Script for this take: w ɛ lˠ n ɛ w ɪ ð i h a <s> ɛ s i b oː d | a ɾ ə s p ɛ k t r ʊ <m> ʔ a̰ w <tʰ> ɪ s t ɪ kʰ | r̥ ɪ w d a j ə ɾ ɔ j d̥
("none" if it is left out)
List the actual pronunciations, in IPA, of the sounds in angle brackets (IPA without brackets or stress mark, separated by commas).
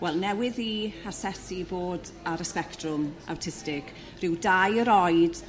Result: s, m, tʰ